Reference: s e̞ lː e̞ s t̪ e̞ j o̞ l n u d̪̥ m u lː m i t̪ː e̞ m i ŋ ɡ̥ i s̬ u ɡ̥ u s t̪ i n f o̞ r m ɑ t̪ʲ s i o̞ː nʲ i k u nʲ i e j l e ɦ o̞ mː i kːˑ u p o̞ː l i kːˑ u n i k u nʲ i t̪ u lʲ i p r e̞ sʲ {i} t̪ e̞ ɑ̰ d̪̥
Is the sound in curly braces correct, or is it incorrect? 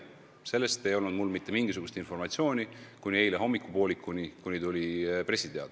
correct